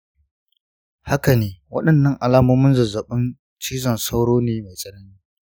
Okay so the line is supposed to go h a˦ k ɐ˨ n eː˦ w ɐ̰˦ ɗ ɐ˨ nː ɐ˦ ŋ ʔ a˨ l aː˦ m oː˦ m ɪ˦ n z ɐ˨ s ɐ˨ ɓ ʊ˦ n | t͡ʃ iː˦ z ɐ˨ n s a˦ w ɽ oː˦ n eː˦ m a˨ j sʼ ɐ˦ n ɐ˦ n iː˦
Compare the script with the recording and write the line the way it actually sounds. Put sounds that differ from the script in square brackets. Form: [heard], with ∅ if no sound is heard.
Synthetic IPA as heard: h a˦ k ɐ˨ n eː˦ w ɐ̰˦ ɗ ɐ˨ nː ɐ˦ ŋ ʔ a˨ l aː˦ m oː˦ m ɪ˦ n z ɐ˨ [z] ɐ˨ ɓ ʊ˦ n | t͡ʃ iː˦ z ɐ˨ n s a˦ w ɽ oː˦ n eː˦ m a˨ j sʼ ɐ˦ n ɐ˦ n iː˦